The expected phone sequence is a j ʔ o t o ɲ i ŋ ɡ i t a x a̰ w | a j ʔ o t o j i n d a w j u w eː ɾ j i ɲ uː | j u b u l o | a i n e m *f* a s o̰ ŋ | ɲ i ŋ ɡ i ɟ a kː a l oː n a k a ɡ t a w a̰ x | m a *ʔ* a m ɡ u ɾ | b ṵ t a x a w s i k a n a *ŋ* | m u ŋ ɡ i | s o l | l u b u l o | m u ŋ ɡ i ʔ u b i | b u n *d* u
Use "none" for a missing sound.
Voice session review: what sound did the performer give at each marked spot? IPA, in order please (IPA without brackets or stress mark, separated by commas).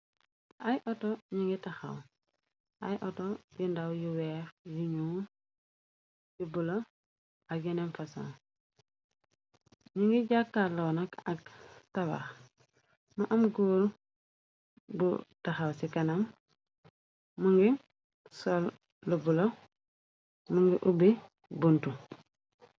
f, ʔ, m, t